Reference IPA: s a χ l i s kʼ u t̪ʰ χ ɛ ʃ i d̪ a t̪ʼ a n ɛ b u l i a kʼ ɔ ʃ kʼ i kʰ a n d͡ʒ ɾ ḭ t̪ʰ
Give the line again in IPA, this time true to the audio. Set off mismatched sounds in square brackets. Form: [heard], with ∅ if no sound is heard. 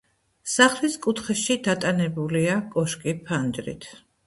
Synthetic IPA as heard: s a χ l i s kʼ u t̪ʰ χ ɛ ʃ i d̪ a t̪ʼ a n ɛ b u l i a kʼ ɔ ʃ kʼ i [pʰ] a n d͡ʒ ɾ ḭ t̪ʰ